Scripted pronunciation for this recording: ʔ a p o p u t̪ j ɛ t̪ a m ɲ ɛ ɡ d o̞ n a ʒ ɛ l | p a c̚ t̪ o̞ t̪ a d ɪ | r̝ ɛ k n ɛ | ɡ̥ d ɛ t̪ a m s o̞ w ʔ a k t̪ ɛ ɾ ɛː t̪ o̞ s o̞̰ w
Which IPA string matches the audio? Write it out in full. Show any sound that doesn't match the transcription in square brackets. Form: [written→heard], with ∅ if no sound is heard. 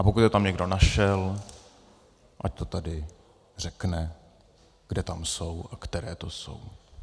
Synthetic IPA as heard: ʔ a p o [p→k] u t̪ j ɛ t̪ a m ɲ ɛ ɡ d o̞ n a [ʒ→ʃ] ɛ l | [p→ʔ] a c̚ t̪ o̞ t̪ a d ɪ | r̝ ɛ k n ɛ | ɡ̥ d ɛ t̪ a m s o̞ w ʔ a k t̪ ɛ ɾ ɛː t̪ o̞ s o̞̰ w